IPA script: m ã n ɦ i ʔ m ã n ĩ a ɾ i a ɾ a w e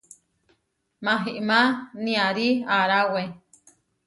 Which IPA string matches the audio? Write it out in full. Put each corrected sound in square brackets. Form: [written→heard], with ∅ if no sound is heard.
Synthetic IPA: m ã [n→∅] ɦ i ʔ m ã n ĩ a ɾ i a ɾ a w e